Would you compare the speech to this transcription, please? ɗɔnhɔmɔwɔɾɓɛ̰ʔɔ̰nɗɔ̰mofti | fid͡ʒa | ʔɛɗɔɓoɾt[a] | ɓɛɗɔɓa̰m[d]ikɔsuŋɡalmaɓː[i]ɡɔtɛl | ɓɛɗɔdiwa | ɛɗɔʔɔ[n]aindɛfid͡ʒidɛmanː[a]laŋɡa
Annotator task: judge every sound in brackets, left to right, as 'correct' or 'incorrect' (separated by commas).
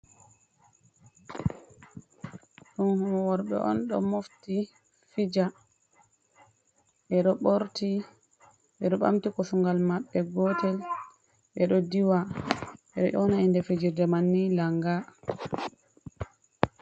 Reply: incorrect, incorrect, incorrect, correct, incorrect